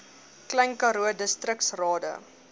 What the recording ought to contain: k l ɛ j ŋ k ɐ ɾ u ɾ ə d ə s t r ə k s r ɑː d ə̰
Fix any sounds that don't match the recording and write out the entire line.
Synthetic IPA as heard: k l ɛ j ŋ k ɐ ɾ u ə d ə s t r ə k s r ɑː d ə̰